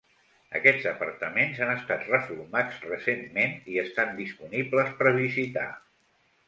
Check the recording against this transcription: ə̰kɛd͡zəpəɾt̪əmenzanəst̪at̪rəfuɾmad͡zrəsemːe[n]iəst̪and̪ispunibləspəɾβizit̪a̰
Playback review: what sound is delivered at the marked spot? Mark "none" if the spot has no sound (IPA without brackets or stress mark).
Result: n